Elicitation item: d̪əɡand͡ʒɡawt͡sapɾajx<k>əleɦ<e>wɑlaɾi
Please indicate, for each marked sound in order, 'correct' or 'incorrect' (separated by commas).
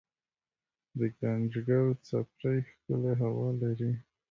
correct, incorrect